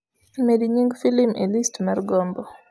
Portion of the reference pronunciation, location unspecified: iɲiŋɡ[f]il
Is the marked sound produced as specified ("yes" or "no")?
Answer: yes